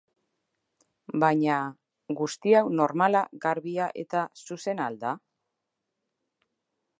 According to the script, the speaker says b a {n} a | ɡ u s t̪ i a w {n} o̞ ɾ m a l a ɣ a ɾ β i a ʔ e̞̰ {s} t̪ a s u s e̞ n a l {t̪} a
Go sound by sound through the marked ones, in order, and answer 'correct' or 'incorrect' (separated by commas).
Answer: incorrect, correct, incorrect, incorrect